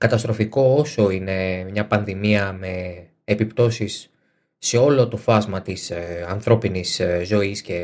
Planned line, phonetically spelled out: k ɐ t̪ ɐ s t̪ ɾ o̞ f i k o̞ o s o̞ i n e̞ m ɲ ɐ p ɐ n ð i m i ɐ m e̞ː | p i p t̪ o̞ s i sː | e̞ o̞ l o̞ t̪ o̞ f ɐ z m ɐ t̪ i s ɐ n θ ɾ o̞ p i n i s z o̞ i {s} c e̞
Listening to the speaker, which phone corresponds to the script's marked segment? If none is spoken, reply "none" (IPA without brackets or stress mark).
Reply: s